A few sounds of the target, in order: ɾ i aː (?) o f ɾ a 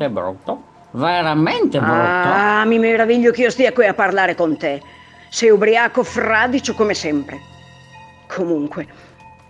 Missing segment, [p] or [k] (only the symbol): k